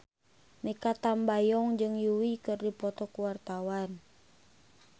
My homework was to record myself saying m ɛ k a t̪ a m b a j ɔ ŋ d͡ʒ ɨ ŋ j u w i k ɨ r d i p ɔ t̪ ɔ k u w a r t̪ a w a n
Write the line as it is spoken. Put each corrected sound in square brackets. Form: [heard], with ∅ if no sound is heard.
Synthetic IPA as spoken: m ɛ k a t̪ a m b a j ɔ ŋ d͡ʒ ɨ ŋ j u w i k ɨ r d i p ɔ t̪ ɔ k u w a r t̪ a w a n